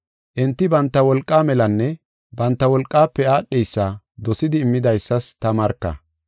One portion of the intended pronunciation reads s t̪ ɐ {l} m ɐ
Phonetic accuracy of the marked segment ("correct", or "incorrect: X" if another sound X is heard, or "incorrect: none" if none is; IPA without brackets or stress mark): incorrect: none